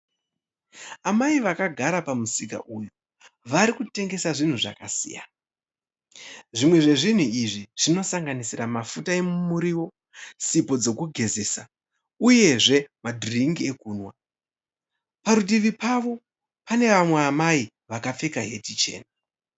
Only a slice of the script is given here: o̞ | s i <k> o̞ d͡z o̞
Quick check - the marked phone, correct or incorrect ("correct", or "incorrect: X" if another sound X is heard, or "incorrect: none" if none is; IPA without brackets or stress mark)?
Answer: incorrect: p